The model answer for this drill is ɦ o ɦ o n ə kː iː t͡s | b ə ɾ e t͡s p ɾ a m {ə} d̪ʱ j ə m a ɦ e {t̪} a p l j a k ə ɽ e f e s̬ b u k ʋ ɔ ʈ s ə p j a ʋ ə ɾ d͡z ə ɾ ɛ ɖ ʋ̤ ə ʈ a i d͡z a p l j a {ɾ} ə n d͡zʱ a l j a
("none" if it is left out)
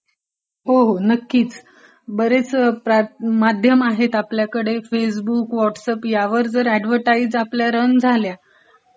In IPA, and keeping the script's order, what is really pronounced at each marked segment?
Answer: a, t̪, ɾ

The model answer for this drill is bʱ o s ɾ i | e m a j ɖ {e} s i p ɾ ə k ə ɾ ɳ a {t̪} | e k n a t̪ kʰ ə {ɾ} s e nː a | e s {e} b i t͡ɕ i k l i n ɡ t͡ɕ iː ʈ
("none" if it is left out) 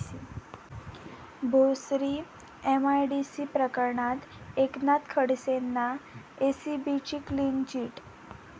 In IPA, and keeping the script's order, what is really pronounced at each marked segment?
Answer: i, t̪, ɽ, i

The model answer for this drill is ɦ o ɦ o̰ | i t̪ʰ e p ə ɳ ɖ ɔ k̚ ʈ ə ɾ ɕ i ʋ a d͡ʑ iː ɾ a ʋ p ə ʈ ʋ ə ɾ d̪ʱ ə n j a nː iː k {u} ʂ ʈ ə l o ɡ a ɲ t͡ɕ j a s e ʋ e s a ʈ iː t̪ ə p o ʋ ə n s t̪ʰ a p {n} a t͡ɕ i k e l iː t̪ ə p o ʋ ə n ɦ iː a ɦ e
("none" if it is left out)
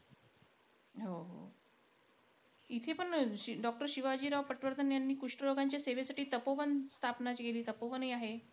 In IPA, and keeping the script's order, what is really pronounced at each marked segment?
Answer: u, n

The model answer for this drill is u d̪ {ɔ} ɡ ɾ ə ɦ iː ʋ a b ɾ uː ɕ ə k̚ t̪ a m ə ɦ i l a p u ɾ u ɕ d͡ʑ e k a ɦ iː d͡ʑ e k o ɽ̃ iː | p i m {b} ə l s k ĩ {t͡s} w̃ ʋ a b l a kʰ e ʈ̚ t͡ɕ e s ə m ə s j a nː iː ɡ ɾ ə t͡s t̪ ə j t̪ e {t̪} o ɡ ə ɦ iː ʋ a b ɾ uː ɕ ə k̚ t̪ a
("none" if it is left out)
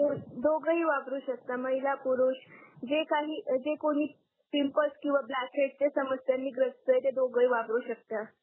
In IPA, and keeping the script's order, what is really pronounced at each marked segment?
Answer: o, p, none, d̪

